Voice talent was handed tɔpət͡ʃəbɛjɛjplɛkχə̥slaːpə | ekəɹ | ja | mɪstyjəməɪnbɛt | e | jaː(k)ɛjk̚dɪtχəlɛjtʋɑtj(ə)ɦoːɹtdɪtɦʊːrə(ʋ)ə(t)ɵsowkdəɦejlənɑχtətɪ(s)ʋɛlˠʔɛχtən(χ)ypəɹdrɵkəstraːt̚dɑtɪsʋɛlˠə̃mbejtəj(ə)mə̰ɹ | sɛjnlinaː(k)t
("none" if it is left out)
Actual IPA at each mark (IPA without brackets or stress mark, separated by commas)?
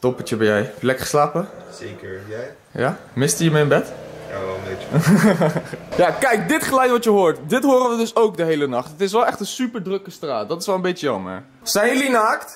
k, ə, ʋ, d, s, s, ɑ, k